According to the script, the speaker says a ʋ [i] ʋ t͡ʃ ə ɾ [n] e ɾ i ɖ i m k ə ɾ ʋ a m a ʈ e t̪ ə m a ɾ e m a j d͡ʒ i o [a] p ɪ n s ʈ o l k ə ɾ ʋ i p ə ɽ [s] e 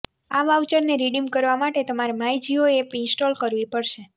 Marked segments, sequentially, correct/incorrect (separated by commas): incorrect, correct, incorrect, incorrect